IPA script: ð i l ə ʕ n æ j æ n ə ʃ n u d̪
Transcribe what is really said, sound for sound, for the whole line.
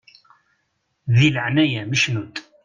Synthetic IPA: ð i l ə ʕ n æ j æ m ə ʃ n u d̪

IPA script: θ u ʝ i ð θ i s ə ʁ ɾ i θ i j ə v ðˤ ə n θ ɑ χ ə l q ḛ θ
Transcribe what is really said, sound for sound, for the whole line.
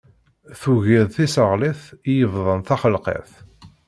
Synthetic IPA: θ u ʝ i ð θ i s ə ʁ l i θ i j ə v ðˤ ə n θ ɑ χ ə l q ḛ θ

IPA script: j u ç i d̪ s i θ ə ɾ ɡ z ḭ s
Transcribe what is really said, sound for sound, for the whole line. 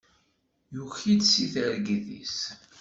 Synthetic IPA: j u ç i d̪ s i θ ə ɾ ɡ ð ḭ s

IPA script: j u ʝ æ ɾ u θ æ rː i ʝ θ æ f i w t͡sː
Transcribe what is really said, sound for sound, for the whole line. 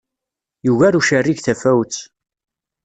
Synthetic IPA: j u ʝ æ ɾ u ʃ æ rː i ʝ θ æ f æ w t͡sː

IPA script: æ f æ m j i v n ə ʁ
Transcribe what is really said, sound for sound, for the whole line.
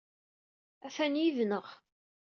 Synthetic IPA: æ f æ n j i v n ə ʁ

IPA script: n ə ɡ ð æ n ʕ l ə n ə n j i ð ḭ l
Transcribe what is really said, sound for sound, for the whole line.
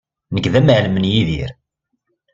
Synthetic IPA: n ə ɡ ð æ m ʕ l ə m ə n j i ð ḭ ɾ

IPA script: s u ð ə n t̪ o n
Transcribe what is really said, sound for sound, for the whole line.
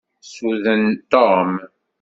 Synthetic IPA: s u ð ə n t̪ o m

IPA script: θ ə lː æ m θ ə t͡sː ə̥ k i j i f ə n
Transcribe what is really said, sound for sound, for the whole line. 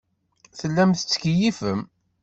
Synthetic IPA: θ ə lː æ m θ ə t͡sː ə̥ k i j i f ə m

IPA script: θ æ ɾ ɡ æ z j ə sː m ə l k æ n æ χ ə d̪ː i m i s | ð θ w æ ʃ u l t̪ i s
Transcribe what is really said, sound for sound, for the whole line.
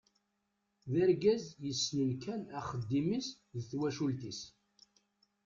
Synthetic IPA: ð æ ɾ ɡ æ z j ə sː n ə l k æ n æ χ ə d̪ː i m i s | ð θ w æ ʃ u l t̪ i s

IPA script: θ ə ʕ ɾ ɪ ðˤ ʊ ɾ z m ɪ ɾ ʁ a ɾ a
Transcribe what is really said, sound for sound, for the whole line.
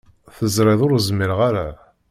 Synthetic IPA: θ ə z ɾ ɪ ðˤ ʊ ɾ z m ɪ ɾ ʁ a ɾ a

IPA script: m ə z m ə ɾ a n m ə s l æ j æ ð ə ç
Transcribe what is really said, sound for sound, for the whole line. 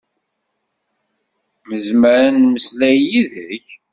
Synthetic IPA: m ə z m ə ɾ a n m ə s l æ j i ð ə ç

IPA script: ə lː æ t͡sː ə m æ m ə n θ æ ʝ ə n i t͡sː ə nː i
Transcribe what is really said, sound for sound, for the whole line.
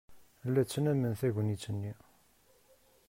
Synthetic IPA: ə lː æ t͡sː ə n æ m ə n θ æ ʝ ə n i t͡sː ə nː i

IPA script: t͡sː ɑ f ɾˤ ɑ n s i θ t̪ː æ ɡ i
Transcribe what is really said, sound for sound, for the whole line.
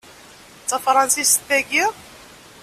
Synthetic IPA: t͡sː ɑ f ɾˤ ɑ n s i s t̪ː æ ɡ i

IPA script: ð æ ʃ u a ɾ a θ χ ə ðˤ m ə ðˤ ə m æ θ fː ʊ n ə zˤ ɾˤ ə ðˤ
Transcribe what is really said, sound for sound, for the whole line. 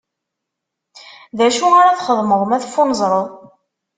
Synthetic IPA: ð æ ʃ u a ɾ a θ χ ə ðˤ m ə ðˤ ə m æ θ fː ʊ n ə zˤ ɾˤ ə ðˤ

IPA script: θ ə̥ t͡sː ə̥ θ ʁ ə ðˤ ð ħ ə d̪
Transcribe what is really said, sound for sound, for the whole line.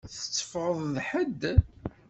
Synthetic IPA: θ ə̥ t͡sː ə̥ f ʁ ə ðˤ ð ħ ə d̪

